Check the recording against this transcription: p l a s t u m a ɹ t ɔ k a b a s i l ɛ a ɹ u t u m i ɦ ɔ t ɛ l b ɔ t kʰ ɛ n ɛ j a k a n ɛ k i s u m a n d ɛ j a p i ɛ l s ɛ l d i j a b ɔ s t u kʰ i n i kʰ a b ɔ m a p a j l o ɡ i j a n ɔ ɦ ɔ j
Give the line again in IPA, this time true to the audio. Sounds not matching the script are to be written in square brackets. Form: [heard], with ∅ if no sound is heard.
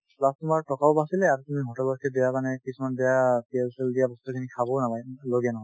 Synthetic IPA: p l a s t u m a ɹ t ɔ k a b a s i l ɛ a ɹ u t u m i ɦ ɔ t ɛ l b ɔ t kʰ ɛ [d] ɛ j a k a n ɛ k i s u m a n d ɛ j a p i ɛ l s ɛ l d i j a b ɔ s t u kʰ i n i kʰ a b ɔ [n] a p a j l o ɡ i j a n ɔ ɦ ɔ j